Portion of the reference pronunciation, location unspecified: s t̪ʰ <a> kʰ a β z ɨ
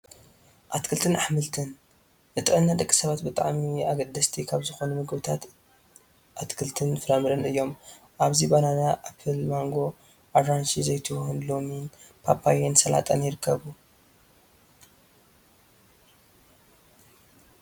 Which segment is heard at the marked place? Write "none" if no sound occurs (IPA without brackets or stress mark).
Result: i